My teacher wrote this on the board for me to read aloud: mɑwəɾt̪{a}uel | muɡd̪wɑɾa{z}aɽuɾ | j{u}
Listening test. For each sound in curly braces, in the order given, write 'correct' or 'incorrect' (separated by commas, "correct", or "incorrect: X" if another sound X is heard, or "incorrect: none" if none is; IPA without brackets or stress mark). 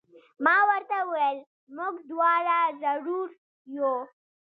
correct, correct, incorrect: o